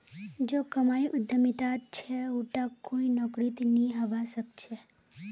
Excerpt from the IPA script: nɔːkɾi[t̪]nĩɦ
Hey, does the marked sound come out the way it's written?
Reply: yes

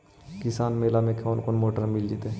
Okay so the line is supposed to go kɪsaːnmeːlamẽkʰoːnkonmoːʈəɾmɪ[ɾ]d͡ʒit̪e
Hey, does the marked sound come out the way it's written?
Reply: no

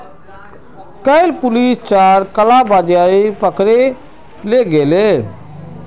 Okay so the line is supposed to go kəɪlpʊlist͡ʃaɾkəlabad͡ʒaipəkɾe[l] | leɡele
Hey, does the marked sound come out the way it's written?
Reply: no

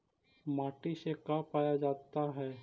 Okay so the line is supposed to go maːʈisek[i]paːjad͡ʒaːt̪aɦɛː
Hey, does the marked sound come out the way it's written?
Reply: no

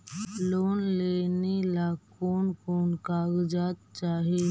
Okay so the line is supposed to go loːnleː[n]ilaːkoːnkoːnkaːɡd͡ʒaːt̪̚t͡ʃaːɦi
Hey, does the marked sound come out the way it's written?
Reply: yes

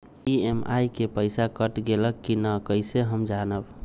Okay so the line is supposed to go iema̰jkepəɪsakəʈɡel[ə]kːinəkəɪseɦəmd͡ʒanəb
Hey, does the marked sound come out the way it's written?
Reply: yes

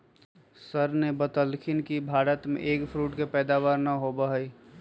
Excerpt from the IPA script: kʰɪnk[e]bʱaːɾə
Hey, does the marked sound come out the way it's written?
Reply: no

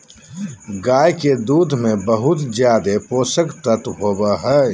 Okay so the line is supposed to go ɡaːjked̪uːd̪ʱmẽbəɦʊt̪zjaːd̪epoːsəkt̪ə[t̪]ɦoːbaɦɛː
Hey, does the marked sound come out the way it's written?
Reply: yes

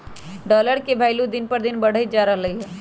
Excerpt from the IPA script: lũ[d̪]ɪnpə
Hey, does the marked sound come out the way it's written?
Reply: yes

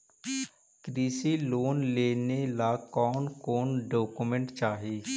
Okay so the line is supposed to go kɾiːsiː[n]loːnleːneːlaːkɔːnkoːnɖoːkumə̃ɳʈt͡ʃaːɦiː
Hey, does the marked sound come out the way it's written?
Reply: no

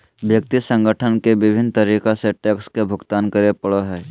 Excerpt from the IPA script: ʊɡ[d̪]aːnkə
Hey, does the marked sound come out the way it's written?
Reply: no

